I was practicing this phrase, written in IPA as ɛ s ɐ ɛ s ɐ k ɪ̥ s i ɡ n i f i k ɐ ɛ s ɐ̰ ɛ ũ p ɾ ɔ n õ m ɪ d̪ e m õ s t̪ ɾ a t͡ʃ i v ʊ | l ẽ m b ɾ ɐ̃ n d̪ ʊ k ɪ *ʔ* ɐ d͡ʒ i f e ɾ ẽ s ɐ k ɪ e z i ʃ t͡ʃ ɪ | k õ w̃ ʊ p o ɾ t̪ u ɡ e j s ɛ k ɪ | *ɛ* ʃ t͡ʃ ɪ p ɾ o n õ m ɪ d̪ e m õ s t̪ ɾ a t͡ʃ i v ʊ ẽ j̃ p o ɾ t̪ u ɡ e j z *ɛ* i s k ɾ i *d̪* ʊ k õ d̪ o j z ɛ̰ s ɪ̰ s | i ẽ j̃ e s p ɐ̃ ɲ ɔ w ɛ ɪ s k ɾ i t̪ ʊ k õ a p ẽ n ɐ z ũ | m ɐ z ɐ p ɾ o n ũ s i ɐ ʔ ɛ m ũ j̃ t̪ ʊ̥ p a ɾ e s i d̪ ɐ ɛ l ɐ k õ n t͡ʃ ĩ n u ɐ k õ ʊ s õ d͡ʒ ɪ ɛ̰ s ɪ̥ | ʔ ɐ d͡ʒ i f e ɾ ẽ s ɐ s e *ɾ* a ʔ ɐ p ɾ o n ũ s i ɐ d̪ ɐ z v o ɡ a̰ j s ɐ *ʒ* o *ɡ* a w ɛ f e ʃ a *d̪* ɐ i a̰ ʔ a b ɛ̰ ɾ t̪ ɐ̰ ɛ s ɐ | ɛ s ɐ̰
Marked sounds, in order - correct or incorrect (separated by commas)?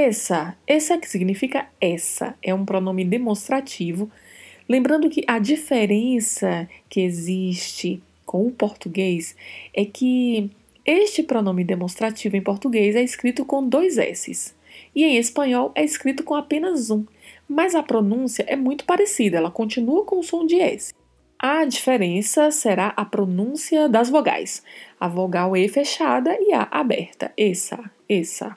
correct, incorrect, correct, incorrect, correct, incorrect, correct, correct